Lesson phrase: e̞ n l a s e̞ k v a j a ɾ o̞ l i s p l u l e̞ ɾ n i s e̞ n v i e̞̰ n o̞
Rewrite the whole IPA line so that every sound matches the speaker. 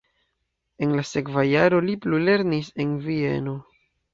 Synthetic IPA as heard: e̞ n l a s e̞ k v a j a ɾ o̞ l i p l u l e̞ ɾ n i s e̞ n v i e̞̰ n o̞